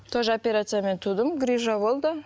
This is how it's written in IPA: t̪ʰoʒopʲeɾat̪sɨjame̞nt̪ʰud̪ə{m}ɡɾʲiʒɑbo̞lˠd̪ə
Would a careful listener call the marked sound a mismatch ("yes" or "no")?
no